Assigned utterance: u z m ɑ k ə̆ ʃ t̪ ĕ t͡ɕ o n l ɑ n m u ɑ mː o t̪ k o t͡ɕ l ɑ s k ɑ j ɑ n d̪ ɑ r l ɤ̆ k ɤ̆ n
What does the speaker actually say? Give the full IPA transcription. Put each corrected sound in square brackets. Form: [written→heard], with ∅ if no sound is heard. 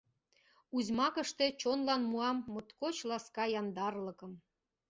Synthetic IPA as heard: u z m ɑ k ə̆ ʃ t̪ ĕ t͡ɕ o n l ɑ n m u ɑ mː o t̪ k o t͡ɕ l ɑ s k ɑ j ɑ n d̪ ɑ r l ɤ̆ k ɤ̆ [n→m]